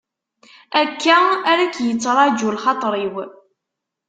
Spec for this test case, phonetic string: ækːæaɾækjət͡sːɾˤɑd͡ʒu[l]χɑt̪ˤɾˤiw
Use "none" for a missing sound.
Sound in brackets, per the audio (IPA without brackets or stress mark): l